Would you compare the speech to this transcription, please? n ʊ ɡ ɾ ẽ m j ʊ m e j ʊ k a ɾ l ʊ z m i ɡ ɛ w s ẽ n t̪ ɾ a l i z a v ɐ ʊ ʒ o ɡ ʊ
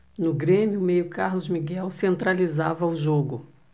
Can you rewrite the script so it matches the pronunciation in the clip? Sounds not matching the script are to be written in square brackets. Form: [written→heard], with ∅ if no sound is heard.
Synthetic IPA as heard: n ʊ ɡ ɾ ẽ m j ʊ m e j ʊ k a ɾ l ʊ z m i ɡ ɛ w s ẽ n t̪ ɾ a l i z a v ɐ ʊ ʒ o ɡ ʊ

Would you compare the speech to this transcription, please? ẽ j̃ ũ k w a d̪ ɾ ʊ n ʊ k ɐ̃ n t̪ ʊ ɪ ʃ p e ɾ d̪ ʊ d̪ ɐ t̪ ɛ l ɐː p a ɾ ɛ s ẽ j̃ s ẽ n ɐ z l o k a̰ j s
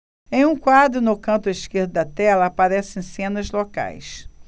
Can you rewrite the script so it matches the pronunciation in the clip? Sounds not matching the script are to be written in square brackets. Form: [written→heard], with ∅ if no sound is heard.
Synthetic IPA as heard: ẽ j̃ ũ k w a d̪ ɾ ʊ n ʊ k ɐ̃ n t̪ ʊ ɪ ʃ [p→k] e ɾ d̪ ʊ d̪ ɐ t̪ ɛ l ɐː p a ɾ ɛ s ẽ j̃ s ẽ n ɐ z l o k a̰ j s

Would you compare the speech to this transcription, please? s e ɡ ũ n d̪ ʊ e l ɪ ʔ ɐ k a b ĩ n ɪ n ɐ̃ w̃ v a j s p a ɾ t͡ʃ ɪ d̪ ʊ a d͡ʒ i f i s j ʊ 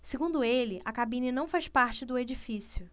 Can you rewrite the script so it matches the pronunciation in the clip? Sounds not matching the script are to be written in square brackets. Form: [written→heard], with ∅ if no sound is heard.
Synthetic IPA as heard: s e ɡ ũ n d̪ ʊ e l ɪ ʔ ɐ k a b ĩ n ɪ n ɐ̃ w̃ [v→f] a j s p a ɾ t͡ʃ ɪ d̪ ʊ [a→e] d͡ʒ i f i s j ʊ

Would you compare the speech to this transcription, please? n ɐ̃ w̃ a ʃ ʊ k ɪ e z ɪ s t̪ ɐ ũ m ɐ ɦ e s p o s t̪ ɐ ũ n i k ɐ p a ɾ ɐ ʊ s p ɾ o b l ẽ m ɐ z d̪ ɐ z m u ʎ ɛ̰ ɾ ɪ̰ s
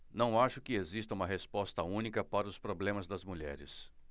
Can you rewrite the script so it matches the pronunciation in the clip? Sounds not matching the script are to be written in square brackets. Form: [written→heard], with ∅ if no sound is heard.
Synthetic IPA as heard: n ɐ̃ w̃ a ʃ ʊ k ɪ e z [ɪ→i] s t̪ ɐ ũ m ɐ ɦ e s p [o→ɔ] s t̪ ɐ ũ n i k ɐ p a ɾ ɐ ʊ s p ɾ o b l ẽ m ɐ z d̪ ɐ z m u ʎ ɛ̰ ɾ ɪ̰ s

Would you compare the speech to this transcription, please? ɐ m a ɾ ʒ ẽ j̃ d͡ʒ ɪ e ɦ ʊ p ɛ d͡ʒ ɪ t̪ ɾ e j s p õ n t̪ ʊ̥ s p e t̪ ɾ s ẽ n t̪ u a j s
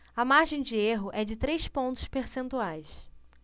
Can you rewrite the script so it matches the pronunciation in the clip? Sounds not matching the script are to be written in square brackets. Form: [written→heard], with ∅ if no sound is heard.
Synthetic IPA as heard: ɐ m a ɾ ʒ ẽ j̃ d͡ʒ ɪ e ɦ ʊ [p→ʔ] ɛ d͡ʒ ɪ t̪ ɾ e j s p õ n t̪ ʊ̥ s p e [t̪→∅] ɾ s ẽ n t̪ u a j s

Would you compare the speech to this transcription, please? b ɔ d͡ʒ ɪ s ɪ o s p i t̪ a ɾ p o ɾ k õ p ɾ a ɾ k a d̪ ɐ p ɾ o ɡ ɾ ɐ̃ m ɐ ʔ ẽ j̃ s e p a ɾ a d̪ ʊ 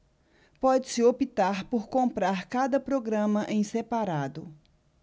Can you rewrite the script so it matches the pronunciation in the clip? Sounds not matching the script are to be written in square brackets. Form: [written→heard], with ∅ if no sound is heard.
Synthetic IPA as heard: [b→p] ɔ d͡ʒ ɪ s ɪ o [s→∅] p i t̪ a ɾ p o ɾ k õ p ɾ a ɾ k a d̪ ɐ p ɾ o ɡ ɾ ɐ̃ m ɐ ʔ ẽ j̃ s e p a ɾ a d̪ ʊ

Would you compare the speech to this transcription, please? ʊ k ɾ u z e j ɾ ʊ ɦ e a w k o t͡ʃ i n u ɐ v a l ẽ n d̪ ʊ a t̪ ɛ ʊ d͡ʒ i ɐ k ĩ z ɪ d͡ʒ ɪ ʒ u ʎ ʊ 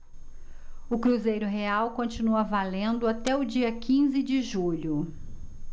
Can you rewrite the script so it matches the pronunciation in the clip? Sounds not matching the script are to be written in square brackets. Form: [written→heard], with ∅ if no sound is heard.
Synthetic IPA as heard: ʊ k ɾ u z e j ɾ ʊ ɦ e a w k [o→õ] t͡ʃ i n u ɐ v a l ẽ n d̪ ʊ a t̪ ɛ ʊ d͡ʒ i ɐ k ĩ z ɪ d͡ʒ ɪ ʒ u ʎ ʊ

